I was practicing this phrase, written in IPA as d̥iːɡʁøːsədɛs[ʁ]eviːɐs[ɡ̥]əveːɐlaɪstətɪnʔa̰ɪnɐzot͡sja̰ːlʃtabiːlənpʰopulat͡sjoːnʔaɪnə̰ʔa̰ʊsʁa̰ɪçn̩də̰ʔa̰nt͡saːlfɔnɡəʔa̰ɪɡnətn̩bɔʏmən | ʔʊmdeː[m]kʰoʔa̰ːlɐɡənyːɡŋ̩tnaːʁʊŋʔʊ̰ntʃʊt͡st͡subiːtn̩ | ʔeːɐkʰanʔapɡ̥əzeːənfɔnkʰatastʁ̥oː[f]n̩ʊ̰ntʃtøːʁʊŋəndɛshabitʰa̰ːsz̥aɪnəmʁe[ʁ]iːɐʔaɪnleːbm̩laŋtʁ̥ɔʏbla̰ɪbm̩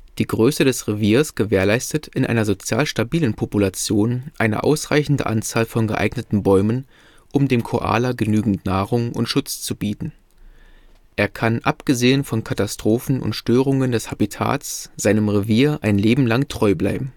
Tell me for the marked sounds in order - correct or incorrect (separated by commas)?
correct, correct, correct, correct, incorrect